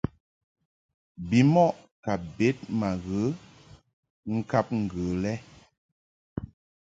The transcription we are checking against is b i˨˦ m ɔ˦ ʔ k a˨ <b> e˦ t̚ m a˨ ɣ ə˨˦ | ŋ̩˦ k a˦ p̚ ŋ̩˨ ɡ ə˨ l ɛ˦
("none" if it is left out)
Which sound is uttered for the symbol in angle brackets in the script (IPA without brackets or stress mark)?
b